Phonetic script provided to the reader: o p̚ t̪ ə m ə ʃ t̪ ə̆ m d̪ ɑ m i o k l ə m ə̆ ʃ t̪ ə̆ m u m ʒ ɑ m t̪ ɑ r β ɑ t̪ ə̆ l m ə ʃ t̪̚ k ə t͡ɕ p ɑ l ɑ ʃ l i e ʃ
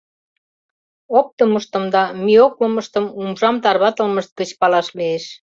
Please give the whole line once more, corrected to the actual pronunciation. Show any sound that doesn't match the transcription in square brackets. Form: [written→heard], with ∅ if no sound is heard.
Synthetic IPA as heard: o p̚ t̪ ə m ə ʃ t̪ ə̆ m d̪ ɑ m i o k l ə m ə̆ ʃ t̪ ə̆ m u m ʒ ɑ m t̪ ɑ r β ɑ t̪ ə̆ l m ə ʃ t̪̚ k ə t͡ɕ p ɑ l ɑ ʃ l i e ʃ